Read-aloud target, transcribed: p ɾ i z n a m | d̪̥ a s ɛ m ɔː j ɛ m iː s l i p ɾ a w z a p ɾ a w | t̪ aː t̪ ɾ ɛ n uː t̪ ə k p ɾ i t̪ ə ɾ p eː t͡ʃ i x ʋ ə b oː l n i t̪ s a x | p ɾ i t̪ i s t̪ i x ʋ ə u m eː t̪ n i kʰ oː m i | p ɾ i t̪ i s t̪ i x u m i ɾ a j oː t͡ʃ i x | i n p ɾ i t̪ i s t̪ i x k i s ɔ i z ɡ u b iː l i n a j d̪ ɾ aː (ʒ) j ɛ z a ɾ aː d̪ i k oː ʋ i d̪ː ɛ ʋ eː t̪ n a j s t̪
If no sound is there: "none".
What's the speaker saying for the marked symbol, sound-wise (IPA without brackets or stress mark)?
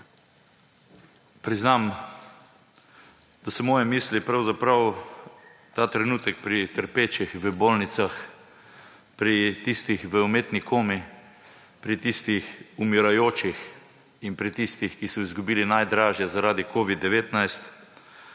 ʒ